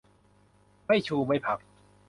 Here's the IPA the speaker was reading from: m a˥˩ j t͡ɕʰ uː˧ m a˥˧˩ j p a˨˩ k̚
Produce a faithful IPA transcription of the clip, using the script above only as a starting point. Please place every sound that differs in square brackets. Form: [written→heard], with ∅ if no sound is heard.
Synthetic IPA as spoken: m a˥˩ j t͡ɕʰ uː˧ m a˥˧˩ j [p→pʰ] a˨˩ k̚